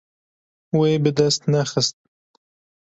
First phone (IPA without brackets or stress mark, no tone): w